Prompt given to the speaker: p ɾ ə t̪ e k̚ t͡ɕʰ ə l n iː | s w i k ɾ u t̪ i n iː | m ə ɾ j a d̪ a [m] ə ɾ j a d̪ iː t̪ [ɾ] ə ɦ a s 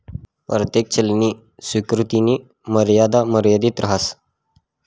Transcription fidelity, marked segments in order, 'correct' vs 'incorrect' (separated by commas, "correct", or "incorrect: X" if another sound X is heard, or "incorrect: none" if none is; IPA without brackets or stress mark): correct, correct